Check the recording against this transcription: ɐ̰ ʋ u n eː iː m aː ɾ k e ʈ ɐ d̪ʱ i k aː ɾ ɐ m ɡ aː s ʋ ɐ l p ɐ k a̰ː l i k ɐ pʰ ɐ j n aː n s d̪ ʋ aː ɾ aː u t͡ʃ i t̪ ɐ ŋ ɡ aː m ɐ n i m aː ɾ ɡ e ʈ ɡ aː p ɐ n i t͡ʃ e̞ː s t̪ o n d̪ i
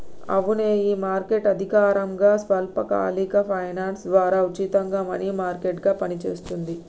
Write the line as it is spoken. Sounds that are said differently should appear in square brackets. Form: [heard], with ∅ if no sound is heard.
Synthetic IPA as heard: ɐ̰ ʋ u n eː iː m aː ɾ k e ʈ ɐ d̪ʱ i k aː ɾ ɐ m ɡ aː s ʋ ɐ l p ɐ k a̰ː l i k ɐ pʰ ɐ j n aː n s d̪ ʋ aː ɾ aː u t͡ʃ i t̪ ɐ ŋ ɡ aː m ɐ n i m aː ɾ [k] e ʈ ɡ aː p ɐ n i t͡ʃ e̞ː s t̪ [u] n d̪ i